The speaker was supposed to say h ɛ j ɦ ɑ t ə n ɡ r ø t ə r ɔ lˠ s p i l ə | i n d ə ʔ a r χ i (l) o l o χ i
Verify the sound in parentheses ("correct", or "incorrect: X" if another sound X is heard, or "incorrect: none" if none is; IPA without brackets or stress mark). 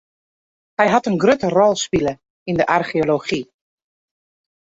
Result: incorrect: none